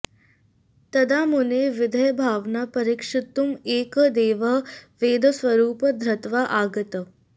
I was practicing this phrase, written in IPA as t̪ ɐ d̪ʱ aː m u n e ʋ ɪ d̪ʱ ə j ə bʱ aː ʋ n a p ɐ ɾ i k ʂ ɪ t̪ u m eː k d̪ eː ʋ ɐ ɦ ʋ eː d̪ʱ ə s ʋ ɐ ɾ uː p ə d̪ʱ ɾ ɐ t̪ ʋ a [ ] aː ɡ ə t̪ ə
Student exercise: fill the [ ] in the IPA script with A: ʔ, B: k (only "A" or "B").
A